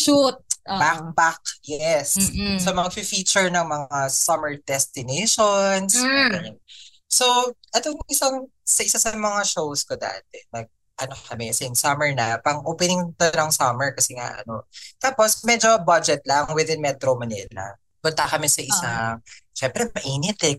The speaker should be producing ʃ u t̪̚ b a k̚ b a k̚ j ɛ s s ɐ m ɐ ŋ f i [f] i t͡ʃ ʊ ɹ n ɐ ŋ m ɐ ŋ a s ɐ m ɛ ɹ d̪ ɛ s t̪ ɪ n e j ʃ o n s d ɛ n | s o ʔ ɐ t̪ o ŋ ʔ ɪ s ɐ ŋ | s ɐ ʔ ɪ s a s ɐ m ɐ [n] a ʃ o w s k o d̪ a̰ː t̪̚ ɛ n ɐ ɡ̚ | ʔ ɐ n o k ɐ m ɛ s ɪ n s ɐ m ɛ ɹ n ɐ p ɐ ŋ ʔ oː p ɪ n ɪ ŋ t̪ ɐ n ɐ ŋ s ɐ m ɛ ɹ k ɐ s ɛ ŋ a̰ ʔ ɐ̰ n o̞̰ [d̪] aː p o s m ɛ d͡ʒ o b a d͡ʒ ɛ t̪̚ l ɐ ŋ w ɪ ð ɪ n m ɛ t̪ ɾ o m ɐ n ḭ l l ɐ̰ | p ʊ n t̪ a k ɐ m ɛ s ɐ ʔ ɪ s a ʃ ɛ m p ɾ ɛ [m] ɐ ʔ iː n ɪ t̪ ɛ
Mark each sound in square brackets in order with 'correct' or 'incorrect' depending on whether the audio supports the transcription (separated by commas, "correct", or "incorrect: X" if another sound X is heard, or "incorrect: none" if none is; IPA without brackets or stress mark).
correct, incorrect: ŋ, incorrect: t̪, correct